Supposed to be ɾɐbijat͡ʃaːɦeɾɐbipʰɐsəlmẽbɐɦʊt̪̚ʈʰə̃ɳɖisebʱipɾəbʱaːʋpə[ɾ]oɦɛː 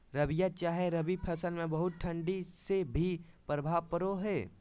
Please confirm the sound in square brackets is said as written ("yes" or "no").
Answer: yes